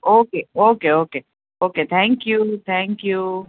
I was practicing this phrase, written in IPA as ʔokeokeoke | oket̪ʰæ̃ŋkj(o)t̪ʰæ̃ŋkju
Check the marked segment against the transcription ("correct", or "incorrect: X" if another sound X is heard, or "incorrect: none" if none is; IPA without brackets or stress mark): incorrect: u